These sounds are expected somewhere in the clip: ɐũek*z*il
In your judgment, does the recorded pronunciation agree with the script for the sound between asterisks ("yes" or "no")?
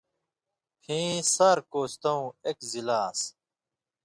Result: yes